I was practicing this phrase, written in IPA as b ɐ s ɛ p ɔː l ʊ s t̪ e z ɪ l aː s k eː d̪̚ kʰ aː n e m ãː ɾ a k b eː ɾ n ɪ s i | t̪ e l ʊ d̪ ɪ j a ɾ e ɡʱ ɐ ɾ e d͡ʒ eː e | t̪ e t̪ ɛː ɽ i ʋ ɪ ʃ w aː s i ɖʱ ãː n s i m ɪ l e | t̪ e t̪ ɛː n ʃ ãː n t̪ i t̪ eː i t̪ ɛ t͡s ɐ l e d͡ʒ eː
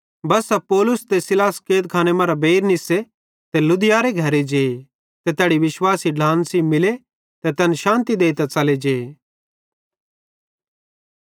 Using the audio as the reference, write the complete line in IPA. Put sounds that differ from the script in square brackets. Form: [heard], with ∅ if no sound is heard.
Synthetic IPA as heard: b ɐ s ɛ p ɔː l ʊ s t̪ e [s] ɪ l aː s k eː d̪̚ kʰ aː n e m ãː ɾ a [∅] b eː ɾ n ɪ s [e] | t̪ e l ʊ d̪ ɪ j a ɾ e ɡʱ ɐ ɾ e d͡ʒ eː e | t̪ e t̪ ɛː ɽ i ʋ ɪ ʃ w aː s i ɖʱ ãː n s i m ɪ l e | t̪ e t̪ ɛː n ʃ ãː n t̪ i [d̪] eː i t̪ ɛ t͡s ɐ l e d͡ʒ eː

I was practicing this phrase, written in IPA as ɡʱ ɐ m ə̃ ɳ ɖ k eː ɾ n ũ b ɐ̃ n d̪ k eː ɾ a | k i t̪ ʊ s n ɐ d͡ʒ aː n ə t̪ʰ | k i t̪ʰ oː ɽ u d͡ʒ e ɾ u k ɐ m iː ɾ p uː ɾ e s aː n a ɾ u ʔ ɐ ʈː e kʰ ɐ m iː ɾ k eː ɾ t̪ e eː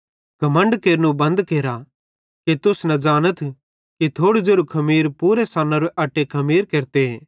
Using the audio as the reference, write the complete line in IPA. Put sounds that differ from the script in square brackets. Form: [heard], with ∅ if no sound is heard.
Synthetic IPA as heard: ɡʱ ɐ m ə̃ ɳ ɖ k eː ɾ n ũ b ɐ̃ n d̪ k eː ɾ a | k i t̪ ʊ s n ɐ d͡ʒ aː n ə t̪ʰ | k i t̪ʰ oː ɽ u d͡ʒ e ɾ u [kʰ] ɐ m iː ɾ p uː ɾ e s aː n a ɾ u ʔ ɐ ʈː e kʰ ɐ m iː ɾ k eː ɾ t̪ e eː

